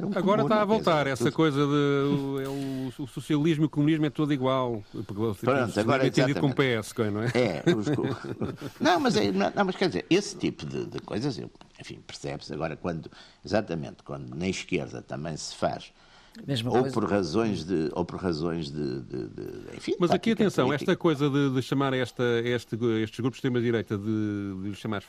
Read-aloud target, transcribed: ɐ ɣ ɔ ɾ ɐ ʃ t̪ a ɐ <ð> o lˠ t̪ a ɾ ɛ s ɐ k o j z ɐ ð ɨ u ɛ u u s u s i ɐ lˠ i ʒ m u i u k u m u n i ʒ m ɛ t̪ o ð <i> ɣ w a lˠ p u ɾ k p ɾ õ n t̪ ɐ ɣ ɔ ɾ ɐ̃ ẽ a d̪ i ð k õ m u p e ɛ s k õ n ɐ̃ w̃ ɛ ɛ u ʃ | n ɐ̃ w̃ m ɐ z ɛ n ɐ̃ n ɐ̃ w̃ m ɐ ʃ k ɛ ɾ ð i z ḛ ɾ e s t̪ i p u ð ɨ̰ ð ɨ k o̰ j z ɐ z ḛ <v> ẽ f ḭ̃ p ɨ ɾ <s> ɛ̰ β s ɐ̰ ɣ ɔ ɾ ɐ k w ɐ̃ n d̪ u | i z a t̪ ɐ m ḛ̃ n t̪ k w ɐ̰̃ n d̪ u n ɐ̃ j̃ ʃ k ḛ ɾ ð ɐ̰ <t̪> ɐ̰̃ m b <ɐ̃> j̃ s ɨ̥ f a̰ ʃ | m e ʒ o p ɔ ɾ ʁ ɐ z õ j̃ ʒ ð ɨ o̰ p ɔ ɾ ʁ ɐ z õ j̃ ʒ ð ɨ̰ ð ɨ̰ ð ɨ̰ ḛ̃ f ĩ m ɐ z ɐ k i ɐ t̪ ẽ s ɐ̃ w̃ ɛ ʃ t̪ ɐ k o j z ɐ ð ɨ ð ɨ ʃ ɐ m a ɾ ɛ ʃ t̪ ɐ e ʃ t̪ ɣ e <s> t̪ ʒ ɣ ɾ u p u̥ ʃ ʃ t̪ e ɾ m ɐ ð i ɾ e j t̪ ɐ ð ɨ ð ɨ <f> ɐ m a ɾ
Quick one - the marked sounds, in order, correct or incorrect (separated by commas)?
incorrect, correct, incorrect, correct, correct, correct, incorrect, incorrect